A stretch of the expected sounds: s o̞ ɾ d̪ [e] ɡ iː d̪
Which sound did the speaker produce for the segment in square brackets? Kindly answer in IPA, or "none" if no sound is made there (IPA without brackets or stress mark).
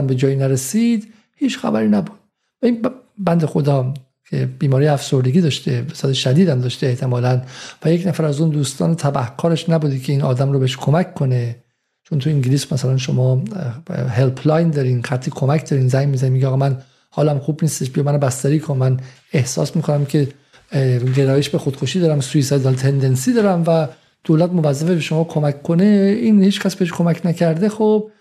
e